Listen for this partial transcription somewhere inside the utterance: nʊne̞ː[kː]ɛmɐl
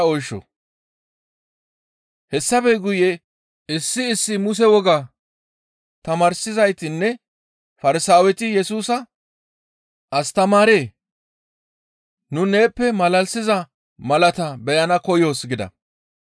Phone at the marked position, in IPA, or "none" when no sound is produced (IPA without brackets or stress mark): pː